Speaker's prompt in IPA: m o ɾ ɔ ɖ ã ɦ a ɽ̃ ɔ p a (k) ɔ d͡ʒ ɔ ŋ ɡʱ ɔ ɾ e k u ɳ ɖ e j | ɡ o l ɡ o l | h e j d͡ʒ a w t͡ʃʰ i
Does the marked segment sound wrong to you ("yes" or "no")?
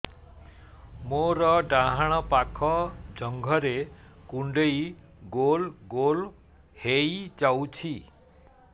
yes